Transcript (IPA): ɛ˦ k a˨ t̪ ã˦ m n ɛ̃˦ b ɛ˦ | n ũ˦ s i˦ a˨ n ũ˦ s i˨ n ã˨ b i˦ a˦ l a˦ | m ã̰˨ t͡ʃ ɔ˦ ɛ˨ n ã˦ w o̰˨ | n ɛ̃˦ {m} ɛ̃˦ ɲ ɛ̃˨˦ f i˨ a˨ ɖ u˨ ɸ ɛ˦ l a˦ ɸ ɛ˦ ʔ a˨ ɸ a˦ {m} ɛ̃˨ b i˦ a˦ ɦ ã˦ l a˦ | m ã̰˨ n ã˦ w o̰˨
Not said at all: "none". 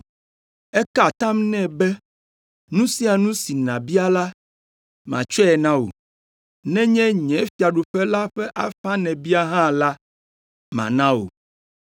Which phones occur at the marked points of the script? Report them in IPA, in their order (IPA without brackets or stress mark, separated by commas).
ɲ, n